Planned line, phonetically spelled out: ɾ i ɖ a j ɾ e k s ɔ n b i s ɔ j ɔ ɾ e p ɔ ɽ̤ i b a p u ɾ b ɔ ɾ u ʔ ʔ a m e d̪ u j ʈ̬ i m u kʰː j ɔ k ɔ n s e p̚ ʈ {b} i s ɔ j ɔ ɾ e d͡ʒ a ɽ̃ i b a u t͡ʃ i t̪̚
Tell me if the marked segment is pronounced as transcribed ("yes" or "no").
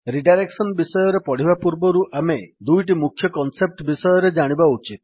yes